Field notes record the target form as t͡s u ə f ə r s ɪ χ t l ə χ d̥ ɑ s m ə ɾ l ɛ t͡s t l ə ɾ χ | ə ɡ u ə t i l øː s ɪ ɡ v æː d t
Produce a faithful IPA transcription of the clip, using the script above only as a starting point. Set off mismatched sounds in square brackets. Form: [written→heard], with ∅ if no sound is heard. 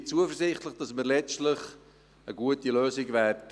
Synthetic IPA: t͡s u ə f ə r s ɪ χ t l ə χ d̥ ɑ s m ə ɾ l ɛ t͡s t l ə [ɾ→∅] χ | ə ɡ u ə t i l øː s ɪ ɡ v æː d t